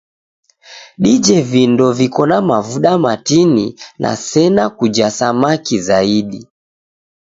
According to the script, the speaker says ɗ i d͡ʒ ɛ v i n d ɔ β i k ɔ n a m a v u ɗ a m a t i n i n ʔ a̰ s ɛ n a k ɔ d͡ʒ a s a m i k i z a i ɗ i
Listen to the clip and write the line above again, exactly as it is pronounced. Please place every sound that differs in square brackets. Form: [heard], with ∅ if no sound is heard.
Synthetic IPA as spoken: ɗ i d͡ʒ ɛ v i n d ɔ [v] i k ɔ n a m a v u ɗ a m a t i n i n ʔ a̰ s ɛ n a k [u] d͡ʒ a s a m [a] k i z a i ɗ i